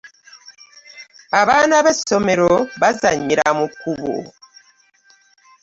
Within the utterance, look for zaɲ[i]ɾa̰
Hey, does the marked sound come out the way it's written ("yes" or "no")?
yes